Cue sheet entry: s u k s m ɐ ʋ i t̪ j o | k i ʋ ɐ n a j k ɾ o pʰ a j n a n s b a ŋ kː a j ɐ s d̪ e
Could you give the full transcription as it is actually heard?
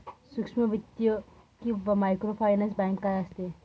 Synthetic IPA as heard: s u k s m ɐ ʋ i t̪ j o | k i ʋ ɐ m a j k ɾ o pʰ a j n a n s b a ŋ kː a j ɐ s t̪ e